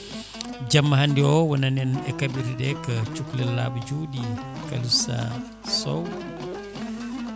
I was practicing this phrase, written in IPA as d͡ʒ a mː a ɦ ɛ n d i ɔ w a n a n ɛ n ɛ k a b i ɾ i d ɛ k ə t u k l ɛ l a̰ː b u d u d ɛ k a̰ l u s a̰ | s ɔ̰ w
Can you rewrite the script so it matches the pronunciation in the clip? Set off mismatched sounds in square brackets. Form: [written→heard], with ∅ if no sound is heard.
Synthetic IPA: d͡ʒ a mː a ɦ [ɛ→a] n d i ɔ w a n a n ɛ n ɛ k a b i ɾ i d ɛ k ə [t→t͡ʃ] u k l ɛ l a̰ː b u [d→d͡ʒ] u d [ɛ→i] k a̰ l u s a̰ | s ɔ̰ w